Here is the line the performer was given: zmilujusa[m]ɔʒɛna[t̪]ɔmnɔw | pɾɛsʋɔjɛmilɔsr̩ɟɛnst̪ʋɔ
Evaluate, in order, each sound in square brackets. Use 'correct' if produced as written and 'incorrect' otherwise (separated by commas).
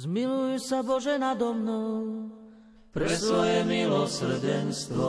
incorrect, incorrect